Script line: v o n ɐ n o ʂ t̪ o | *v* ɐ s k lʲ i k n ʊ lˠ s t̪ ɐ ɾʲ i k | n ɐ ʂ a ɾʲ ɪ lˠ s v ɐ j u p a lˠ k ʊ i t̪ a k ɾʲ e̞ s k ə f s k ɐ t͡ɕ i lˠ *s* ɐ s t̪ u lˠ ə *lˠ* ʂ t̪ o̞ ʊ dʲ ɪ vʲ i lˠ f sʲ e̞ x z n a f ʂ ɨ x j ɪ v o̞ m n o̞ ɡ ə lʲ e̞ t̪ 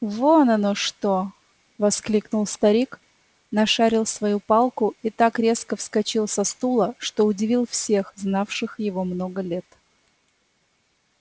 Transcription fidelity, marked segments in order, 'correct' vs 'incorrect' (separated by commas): correct, correct, incorrect